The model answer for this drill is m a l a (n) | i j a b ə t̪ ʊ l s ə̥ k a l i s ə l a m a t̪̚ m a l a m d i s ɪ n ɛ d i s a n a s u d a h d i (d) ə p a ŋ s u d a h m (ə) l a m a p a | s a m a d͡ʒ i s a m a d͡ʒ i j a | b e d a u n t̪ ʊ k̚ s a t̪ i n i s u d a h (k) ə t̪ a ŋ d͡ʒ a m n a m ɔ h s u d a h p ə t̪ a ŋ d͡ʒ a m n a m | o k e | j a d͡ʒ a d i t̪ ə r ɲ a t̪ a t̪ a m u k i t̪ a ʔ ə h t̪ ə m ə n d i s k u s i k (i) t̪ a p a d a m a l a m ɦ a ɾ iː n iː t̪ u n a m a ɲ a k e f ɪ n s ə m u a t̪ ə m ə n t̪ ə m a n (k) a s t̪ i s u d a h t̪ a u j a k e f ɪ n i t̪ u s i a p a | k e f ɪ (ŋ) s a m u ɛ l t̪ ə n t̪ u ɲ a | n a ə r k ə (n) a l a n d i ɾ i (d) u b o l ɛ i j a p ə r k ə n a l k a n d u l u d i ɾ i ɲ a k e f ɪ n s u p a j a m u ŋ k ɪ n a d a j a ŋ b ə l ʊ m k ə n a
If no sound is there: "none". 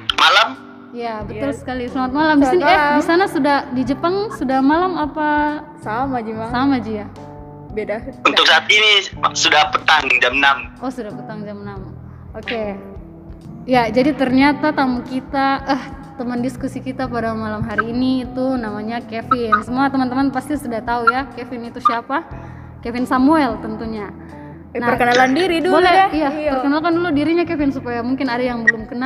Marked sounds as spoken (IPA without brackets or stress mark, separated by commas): m, d͡ʒ, a, p, i, p, n, n, d